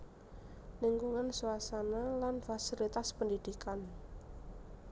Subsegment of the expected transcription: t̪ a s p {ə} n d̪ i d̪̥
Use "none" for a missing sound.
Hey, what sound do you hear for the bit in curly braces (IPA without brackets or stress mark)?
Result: ə